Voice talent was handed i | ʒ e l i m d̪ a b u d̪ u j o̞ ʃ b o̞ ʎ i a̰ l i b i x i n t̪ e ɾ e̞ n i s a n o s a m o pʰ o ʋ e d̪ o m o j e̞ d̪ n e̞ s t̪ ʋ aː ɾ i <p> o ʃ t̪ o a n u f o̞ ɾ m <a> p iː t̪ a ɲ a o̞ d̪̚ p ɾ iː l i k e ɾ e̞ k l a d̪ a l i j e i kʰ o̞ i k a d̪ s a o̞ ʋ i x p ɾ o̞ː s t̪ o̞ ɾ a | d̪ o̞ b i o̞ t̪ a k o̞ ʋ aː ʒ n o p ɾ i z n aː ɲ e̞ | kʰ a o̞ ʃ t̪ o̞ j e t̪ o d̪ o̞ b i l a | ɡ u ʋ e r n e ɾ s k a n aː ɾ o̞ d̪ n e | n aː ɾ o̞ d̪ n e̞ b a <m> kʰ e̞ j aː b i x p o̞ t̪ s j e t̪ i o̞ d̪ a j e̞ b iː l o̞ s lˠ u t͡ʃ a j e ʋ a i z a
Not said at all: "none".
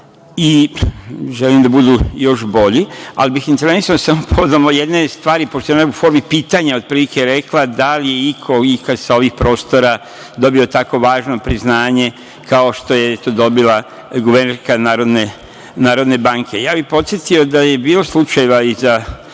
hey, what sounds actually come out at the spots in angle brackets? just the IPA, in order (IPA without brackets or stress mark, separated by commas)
p, i, ŋ